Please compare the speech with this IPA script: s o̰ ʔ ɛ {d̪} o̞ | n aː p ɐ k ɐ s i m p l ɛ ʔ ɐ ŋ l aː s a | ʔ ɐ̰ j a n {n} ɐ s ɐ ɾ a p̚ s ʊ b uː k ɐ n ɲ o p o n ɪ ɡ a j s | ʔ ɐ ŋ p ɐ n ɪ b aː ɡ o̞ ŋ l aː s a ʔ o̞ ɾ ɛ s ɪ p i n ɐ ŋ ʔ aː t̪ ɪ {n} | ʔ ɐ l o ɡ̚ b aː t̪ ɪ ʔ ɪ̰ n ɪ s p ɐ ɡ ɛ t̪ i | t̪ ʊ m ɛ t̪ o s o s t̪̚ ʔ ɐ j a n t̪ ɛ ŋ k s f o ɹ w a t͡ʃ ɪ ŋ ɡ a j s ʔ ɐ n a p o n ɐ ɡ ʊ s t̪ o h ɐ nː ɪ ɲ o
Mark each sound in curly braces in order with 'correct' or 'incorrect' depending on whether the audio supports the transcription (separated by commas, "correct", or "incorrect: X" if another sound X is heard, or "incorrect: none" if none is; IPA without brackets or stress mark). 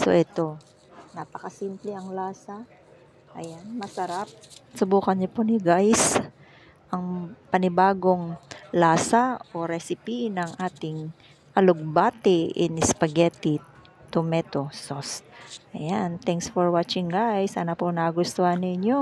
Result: incorrect: t̪, incorrect: m, incorrect: ŋ